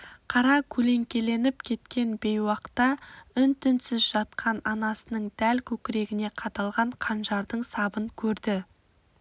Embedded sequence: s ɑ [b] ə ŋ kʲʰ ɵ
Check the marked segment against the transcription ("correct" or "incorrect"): correct